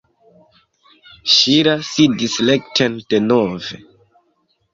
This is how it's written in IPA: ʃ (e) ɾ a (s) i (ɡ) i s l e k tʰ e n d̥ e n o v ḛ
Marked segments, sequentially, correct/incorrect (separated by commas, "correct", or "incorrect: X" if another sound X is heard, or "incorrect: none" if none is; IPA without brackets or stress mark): incorrect: i, correct, incorrect: d